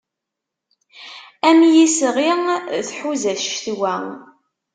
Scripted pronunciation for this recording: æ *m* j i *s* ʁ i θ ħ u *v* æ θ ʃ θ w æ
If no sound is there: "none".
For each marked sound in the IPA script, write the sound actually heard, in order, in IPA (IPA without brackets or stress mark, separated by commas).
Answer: m, s, z